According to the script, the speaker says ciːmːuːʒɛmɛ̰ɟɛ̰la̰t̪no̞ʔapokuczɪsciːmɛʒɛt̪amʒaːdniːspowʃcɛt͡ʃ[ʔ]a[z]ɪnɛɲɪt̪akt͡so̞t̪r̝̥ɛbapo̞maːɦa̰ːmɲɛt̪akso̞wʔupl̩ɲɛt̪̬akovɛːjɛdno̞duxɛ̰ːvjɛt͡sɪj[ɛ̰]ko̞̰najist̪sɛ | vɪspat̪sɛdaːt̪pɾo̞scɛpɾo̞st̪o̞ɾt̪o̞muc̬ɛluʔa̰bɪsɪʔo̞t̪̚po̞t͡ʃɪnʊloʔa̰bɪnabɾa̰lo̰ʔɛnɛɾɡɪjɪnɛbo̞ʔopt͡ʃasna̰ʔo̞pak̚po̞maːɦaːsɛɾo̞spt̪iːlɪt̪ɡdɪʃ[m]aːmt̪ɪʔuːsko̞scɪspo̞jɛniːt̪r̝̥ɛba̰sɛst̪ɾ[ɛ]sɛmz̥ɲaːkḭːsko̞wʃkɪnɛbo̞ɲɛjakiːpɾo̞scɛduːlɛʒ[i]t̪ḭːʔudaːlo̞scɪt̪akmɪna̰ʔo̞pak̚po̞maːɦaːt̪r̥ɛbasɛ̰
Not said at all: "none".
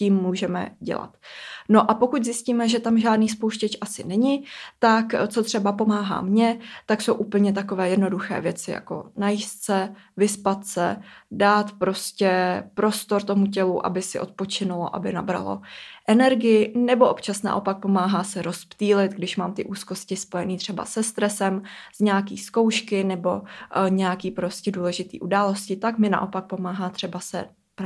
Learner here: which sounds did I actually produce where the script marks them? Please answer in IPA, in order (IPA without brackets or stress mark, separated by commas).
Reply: ʔ, s, a̰, m, ɛ, ɪ